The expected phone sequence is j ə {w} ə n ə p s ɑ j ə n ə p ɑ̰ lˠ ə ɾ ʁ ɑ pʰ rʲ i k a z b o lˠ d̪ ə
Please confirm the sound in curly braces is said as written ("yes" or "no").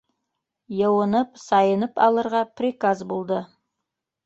yes